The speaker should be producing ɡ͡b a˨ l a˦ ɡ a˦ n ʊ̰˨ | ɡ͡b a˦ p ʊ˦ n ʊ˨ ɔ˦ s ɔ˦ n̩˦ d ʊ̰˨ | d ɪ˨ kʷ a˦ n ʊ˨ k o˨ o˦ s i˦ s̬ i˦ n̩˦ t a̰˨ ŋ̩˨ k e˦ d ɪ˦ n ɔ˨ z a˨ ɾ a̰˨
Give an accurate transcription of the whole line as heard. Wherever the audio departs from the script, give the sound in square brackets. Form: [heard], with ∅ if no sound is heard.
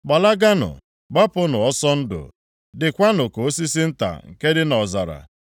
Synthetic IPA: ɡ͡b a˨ l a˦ ɡ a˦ n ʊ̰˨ | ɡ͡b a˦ p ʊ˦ n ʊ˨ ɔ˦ s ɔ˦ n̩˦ d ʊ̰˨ | d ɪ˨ kʷ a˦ n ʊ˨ k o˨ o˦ s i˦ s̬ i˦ n̩˦ t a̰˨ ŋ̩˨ k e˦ d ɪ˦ n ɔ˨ z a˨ ɾ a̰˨